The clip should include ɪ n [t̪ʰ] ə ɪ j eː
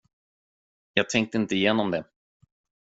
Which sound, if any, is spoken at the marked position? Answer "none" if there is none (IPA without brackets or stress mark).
t̪